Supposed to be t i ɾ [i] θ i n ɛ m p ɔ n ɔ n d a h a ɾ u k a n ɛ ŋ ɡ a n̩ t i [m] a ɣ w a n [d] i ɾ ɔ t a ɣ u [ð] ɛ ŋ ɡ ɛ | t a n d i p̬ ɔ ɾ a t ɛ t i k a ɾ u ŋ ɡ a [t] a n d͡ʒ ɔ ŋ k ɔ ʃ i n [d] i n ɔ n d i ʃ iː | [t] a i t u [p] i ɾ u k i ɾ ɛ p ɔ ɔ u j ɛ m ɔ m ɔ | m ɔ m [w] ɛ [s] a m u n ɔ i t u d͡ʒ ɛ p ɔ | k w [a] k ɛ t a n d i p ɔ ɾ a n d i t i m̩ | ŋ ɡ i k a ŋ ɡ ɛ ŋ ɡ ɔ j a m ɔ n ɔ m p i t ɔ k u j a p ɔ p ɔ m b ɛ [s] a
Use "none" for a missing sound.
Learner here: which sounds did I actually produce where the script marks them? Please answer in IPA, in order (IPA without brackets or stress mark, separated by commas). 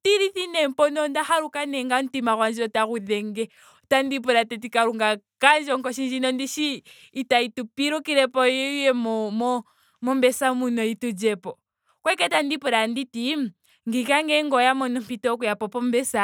i, m, d͡ʒ, ð, k, d͡ʒ, t, p, b, s, ɛ, s